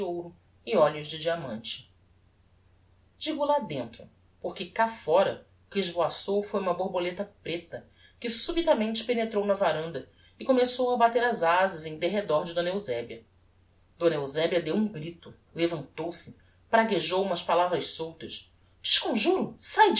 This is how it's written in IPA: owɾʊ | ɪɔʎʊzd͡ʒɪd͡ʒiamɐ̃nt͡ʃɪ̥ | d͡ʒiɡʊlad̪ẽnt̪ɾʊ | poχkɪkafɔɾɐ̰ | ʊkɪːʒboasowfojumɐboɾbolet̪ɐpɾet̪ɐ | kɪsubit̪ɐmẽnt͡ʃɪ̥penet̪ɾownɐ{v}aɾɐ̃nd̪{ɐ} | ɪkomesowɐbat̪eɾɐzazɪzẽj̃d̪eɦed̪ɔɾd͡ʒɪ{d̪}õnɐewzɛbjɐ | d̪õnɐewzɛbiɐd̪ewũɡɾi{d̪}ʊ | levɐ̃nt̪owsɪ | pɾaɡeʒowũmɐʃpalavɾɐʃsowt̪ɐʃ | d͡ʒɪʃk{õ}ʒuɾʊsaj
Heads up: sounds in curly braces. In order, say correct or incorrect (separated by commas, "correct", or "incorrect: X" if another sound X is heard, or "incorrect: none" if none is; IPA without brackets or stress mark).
correct, correct, correct, incorrect: t̪, correct